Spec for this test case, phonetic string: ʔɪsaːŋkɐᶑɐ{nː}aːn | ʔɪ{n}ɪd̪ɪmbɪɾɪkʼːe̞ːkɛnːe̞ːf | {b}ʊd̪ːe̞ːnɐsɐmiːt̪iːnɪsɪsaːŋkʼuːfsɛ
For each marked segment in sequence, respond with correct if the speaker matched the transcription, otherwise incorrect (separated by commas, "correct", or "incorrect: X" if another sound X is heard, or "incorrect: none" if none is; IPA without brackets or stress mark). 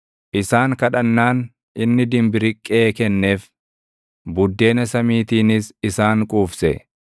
correct, incorrect: nː, correct